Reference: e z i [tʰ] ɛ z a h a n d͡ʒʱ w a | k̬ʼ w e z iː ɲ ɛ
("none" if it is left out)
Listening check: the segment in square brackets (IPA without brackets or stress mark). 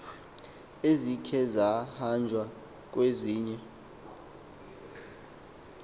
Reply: kʰ